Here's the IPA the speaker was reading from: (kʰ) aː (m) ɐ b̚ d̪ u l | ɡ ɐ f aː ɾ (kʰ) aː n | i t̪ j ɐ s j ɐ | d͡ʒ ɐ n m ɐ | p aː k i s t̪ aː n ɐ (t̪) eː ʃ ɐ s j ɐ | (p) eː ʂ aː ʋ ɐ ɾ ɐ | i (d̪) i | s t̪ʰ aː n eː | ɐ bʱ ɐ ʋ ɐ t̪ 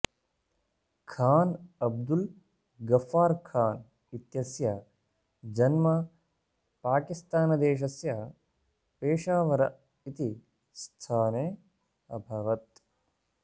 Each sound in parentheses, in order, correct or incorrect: correct, incorrect, correct, incorrect, correct, incorrect

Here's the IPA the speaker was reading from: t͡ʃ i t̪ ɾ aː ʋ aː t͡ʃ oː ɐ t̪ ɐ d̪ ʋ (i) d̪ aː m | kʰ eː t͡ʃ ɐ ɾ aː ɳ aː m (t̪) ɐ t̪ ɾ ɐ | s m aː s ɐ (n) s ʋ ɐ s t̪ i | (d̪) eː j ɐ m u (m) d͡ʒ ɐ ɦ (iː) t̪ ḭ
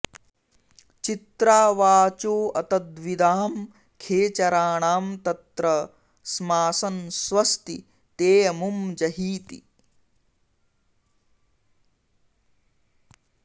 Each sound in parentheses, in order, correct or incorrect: correct, correct, correct, incorrect, correct, correct

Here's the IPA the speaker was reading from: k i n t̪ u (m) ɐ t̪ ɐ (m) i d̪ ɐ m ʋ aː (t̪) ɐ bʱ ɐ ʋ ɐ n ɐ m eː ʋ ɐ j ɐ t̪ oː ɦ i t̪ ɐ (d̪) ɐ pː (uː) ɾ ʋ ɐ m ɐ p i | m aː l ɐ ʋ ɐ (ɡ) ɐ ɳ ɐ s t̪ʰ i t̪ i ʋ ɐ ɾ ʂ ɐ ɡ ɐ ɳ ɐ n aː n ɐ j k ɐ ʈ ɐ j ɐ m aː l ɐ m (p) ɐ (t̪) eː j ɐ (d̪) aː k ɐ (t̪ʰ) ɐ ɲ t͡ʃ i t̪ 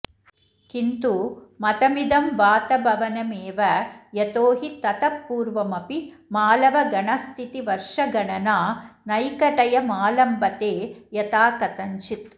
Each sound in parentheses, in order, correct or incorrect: correct, correct, correct, incorrect, correct, correct, incorrect, correct, incorrect, incorrect

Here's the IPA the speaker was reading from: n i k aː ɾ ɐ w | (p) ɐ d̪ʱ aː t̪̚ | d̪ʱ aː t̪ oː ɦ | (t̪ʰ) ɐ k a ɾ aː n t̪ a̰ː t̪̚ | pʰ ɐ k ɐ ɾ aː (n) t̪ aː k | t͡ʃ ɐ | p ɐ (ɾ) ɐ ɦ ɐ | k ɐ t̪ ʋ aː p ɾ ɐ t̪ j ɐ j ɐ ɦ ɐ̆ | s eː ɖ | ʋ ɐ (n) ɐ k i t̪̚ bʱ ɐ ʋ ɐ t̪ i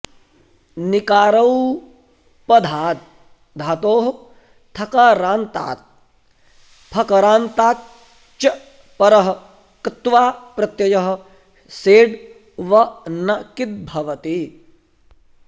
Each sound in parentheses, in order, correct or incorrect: correct, correct, correct, correct, correct

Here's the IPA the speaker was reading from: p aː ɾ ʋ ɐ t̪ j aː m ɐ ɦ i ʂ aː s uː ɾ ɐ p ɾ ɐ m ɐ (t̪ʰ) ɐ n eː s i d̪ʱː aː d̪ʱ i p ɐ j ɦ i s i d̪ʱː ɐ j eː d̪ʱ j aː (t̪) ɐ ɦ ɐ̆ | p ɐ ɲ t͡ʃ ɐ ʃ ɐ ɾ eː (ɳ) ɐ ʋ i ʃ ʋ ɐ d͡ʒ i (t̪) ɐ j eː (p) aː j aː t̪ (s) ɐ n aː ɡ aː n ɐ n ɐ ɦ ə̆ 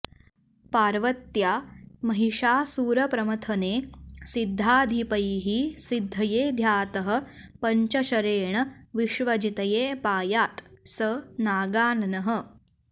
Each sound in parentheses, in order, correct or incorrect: correct, correct, correct, correct, correct, correct

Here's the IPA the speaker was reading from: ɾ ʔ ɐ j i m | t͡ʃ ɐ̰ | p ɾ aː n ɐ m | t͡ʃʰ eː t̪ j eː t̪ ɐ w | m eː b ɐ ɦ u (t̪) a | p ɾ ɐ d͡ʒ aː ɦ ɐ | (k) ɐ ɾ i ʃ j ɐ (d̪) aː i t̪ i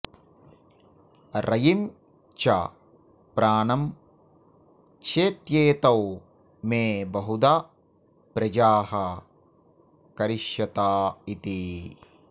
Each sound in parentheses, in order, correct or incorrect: incorrect, correct, incorrect

